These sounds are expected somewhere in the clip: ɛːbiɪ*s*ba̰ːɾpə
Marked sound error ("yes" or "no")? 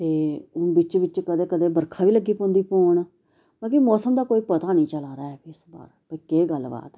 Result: no